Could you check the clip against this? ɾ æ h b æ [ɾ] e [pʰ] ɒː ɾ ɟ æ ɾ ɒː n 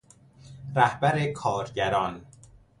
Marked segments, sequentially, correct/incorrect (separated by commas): correct, incorrect